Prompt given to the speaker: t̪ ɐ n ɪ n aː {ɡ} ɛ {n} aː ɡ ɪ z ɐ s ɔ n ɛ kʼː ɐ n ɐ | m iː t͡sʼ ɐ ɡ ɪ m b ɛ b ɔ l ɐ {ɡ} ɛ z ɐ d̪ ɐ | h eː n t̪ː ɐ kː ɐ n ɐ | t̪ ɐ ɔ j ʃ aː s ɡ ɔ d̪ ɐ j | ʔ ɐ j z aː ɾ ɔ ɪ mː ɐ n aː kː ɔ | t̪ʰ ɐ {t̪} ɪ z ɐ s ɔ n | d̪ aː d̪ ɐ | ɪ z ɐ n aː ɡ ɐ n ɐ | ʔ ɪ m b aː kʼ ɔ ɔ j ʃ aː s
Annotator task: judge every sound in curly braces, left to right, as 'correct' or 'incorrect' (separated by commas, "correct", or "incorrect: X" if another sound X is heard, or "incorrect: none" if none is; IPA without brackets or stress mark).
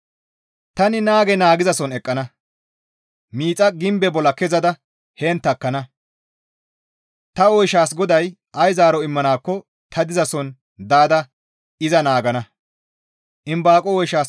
correct, correct, incorrect: k, incorrect: d̪